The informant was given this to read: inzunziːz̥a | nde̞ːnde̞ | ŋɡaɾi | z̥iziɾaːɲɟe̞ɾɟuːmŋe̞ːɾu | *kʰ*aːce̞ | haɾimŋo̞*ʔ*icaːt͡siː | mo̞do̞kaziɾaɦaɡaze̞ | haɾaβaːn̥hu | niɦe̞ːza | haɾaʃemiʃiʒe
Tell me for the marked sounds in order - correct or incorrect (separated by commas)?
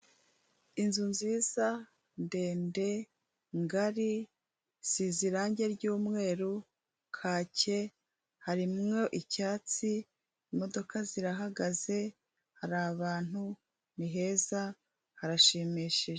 correct, correct